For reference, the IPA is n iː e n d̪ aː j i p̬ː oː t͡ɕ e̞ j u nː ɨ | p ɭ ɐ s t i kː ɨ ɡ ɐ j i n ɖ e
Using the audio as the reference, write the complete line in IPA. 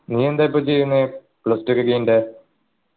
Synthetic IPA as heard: n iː e n d̪ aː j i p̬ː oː t͡ɕ e̞ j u nː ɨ | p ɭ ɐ s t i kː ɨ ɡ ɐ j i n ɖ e